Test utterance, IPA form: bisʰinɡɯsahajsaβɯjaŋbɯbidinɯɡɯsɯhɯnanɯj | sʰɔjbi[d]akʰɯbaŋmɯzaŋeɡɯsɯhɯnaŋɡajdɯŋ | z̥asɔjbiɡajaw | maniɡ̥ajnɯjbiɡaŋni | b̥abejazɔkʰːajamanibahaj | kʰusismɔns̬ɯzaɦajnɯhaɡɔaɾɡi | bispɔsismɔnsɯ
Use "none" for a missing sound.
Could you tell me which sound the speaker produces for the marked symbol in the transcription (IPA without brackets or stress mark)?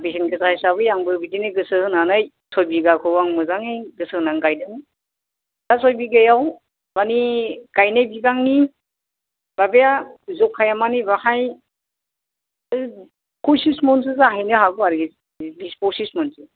ɡ